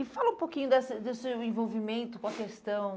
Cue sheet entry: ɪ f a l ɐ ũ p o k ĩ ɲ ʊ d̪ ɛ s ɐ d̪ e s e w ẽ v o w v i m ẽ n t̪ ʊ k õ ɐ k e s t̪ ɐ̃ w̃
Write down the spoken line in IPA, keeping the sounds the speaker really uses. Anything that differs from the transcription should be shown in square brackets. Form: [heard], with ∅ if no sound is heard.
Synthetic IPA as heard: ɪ f a l ɐ ũ p o k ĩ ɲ ʊ d̪ ɛ s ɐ d̪ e s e w ẽ v o w v i m ẽ n t̪ ʊ k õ ɐ k e s t̪ ɐ̃ w̃